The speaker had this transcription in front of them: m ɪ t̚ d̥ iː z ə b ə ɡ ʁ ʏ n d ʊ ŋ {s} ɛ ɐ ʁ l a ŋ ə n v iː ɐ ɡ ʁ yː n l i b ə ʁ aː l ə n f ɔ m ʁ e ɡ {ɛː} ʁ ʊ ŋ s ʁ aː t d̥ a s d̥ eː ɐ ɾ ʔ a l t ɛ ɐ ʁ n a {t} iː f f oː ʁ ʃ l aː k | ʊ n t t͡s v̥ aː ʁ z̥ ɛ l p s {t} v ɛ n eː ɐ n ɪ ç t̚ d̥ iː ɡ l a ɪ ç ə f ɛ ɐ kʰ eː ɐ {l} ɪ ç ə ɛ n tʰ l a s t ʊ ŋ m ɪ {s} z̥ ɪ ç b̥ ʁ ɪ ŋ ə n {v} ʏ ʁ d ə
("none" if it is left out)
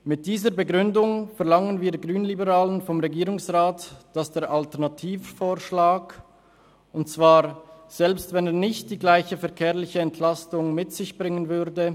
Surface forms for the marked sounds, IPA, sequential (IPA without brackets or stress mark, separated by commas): f, iː, tʰ, t, l, t, v